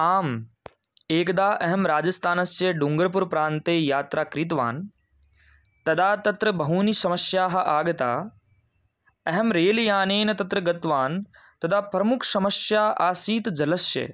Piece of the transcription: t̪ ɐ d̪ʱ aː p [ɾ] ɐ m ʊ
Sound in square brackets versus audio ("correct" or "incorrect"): correct